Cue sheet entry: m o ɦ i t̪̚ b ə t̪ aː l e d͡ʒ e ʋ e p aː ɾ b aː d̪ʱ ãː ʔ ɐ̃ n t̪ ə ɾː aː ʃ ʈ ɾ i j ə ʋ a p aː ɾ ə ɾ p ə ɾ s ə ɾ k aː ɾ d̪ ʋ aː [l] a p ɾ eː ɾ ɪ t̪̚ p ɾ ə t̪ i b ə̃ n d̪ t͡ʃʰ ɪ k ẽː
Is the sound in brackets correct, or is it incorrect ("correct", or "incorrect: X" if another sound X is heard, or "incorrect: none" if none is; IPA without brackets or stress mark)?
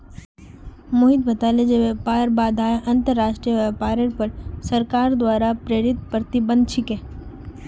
incorrect: ɾ